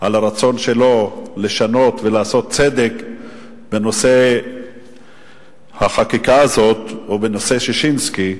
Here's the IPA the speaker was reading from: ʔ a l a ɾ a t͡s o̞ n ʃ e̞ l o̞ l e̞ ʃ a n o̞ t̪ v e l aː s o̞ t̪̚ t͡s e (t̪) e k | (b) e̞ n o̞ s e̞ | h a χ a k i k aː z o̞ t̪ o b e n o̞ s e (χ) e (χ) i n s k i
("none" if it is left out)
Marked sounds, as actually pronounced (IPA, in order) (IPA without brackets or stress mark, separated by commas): d̪, b, ʃ, ʃ